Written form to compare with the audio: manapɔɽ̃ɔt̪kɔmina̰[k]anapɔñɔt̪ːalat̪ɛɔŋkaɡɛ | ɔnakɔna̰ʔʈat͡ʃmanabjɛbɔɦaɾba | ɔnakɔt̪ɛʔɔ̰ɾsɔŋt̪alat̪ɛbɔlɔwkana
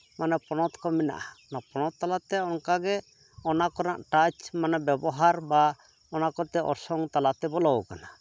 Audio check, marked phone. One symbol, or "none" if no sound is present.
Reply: ʔ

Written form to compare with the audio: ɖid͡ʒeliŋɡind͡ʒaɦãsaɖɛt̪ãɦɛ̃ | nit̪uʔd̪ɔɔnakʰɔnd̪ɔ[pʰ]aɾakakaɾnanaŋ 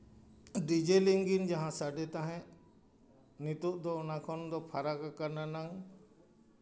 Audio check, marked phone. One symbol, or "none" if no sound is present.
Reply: pʰ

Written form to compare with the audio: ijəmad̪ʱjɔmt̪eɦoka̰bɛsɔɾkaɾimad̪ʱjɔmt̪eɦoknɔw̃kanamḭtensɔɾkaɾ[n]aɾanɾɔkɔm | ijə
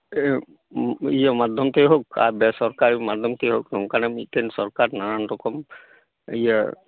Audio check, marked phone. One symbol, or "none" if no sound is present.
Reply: n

